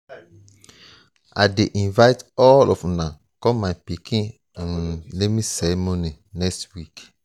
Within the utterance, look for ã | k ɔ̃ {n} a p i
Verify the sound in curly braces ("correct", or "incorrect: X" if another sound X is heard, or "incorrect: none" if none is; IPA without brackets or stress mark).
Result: incorrect: m